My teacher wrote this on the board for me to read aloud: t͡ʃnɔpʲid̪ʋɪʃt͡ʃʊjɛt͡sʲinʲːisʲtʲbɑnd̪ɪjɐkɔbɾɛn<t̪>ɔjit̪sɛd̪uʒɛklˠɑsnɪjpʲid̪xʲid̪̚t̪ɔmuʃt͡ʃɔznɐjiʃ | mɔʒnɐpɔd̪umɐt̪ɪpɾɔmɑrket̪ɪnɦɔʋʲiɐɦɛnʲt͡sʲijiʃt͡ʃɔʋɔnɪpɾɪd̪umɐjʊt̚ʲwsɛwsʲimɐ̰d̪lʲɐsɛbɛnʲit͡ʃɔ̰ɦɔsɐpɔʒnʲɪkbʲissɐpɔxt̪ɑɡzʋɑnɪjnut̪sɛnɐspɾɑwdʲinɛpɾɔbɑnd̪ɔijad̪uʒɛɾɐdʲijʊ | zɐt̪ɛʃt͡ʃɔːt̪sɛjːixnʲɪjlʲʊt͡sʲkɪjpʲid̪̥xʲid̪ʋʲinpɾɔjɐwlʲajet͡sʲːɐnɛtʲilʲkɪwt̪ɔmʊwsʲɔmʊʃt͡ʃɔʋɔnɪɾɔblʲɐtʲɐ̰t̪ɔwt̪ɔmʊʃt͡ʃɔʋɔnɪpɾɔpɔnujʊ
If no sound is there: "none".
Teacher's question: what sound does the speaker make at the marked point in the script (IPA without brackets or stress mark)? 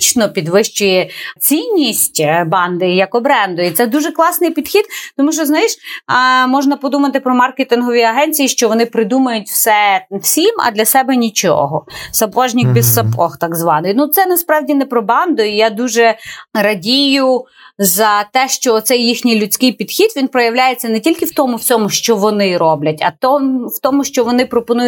d̪